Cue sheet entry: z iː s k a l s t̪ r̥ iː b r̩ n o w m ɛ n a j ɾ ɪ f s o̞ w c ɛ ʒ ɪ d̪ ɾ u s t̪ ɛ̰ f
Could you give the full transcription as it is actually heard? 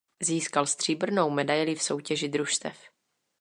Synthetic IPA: z iː s k a l s t̪ r̥ iː b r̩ n o w m ɛ d a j l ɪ f s o̞ w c ɛ ʒ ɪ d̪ ɾ u ʃ t̪ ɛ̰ f